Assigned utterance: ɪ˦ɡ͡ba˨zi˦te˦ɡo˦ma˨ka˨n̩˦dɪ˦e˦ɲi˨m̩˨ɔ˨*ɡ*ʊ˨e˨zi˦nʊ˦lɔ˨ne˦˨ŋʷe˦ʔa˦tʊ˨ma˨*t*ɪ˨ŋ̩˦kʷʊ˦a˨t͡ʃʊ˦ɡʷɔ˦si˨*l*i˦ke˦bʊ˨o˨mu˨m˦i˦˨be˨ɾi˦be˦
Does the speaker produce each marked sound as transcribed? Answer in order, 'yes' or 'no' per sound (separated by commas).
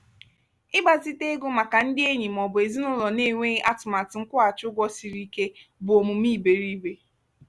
no, yes, no